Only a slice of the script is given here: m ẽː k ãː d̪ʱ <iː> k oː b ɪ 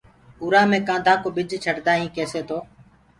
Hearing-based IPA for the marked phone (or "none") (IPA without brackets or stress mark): aː